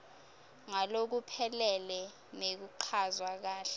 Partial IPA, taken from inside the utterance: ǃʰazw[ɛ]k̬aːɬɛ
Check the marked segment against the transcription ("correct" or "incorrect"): incorrect